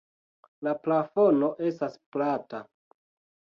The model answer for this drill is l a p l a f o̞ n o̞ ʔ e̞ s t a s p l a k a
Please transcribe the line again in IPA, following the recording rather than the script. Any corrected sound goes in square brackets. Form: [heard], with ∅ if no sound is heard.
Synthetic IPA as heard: l a p l a f o̞ n o̞ ʔ e̞ s t a s p l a [t] a